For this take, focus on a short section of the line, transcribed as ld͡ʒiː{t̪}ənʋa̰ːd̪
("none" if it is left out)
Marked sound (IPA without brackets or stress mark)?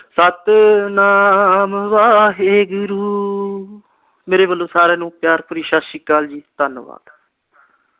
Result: t̪